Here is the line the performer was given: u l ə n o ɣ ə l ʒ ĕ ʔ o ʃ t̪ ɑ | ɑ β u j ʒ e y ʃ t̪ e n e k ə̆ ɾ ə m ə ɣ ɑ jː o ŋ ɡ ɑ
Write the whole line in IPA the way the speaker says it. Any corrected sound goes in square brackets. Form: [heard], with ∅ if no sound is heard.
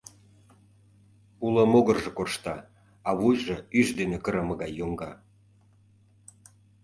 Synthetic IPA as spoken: u l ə [m] o ɣ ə [r] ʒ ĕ [k] o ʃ t̪ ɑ | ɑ β u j ʒ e y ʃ [d̪] e n e k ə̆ ɾ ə m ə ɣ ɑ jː o ŋ ɡ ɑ